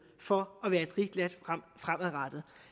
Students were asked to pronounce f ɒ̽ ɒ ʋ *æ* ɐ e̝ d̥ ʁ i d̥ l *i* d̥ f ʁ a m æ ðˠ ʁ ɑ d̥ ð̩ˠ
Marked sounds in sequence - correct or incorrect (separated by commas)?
incorrect, incorrect